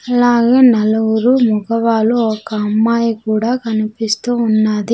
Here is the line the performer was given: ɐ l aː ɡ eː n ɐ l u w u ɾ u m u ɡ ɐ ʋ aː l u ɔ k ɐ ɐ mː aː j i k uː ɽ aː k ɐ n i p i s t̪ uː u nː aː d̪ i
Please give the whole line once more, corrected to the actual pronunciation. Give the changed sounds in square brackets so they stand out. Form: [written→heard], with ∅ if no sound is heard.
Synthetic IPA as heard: ɐ l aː ɡ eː n ɐ l u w u ɾ u m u ɡ ɐ ʋ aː l u ɔ k ɐ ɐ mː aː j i k uː ɽ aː k ɐ n i p i s t̪ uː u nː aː d̪ i